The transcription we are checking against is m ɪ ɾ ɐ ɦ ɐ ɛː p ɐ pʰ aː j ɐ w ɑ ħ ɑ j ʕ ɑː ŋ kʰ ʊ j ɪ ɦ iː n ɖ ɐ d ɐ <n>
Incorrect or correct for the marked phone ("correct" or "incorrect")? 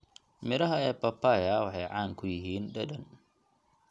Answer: correct